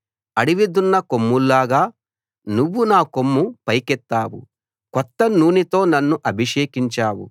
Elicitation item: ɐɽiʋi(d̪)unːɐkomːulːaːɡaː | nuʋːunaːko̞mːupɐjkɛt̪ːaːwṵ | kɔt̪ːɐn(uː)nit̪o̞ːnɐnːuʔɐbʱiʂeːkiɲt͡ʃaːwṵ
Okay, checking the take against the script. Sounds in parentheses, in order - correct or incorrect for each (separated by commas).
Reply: correct, correct